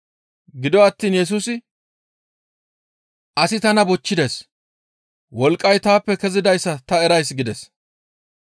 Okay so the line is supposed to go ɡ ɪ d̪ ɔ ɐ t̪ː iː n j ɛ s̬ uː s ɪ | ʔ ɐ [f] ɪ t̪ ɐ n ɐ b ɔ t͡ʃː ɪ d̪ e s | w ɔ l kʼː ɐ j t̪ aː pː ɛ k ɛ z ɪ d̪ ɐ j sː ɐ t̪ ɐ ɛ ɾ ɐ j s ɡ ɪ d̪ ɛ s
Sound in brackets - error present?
yes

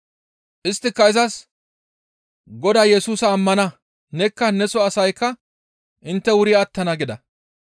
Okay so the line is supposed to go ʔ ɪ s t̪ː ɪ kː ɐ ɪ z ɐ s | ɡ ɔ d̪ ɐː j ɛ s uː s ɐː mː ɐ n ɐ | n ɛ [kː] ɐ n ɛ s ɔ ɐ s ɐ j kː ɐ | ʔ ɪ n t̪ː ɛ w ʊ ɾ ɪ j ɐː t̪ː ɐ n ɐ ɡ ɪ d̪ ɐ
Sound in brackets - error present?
no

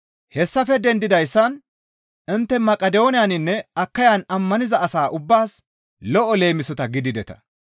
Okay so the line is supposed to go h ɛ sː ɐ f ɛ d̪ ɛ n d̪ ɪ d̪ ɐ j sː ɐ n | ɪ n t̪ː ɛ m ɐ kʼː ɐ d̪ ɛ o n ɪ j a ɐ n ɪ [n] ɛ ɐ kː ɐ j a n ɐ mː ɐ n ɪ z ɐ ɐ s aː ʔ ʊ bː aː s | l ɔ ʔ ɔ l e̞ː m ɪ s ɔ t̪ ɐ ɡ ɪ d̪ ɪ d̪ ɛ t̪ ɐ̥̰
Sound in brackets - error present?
yes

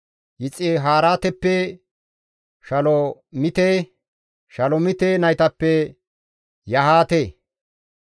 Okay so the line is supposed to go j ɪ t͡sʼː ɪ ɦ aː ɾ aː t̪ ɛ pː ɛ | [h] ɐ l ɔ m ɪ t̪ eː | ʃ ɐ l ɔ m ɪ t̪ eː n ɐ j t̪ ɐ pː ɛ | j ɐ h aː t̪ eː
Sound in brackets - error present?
yes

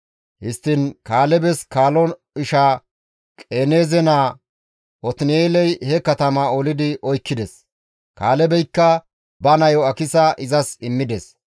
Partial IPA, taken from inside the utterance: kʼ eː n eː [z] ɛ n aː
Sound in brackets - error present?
no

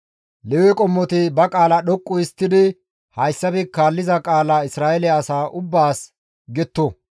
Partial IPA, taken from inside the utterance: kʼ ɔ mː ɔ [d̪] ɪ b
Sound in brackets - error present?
yes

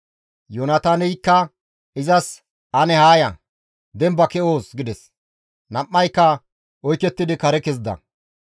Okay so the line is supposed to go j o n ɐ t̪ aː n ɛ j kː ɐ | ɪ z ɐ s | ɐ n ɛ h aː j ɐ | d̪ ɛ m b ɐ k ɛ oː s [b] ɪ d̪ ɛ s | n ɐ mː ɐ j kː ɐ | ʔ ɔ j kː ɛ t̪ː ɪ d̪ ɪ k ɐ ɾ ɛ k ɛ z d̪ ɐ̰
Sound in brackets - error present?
yes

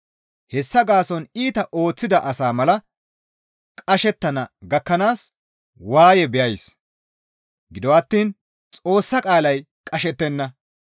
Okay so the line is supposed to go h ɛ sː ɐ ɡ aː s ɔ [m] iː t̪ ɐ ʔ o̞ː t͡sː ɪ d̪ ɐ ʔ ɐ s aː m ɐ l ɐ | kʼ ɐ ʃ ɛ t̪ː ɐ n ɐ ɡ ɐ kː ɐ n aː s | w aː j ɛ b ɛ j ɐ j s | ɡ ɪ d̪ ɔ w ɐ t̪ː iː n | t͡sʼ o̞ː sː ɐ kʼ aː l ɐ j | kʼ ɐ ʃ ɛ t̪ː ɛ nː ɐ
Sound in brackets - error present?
yes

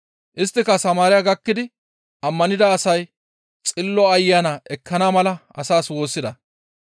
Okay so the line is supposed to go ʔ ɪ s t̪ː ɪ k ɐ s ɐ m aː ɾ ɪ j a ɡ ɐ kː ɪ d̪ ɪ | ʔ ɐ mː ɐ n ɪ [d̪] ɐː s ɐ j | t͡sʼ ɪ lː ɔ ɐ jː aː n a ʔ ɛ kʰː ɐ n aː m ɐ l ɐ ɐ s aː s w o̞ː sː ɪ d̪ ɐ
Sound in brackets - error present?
no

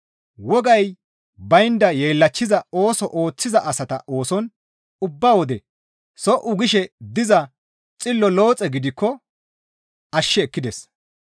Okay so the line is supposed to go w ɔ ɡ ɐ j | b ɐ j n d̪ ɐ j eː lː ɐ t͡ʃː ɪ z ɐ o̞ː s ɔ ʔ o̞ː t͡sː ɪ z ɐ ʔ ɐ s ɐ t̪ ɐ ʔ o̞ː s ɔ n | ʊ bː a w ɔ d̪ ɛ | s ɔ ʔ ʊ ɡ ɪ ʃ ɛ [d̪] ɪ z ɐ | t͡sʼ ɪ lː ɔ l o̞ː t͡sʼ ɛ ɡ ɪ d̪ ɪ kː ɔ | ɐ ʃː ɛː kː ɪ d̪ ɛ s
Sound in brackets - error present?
no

